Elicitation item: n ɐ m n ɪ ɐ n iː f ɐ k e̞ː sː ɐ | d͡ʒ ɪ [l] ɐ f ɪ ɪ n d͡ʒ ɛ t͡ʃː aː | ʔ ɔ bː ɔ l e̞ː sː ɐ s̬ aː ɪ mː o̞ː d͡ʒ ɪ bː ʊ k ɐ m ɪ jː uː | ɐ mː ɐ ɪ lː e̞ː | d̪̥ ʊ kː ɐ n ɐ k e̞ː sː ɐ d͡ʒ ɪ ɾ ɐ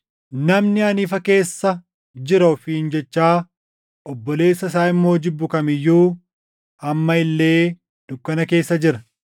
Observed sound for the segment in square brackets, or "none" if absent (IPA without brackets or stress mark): ɾ